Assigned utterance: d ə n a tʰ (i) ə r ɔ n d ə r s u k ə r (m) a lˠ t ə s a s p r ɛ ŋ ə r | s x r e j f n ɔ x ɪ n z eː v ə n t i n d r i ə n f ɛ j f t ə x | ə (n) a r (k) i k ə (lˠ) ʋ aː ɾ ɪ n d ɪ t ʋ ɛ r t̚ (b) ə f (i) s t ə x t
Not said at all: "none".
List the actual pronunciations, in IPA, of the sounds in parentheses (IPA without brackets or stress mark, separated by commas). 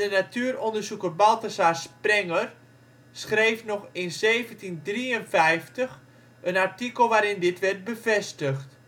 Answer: y, b, n, t, lˠ, b, ɛ